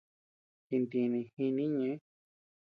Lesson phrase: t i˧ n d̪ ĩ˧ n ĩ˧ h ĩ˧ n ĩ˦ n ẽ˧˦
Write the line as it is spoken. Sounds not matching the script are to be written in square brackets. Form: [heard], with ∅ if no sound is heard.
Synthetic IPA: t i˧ n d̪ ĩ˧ n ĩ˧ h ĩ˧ n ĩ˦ [ɲ] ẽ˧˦